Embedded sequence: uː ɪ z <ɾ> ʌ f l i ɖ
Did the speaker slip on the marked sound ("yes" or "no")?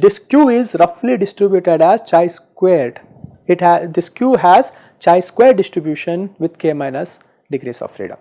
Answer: no